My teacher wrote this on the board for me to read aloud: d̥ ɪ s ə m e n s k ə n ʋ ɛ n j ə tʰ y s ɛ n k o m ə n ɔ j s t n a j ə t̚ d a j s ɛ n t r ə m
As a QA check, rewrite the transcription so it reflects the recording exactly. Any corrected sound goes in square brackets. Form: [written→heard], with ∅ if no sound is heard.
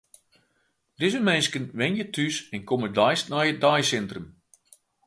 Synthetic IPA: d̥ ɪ [s→z] ə m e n s k ə n ʋ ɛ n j ə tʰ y s ɛ n k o m ə [n→d] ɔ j s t n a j ə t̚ d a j s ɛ n t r ə m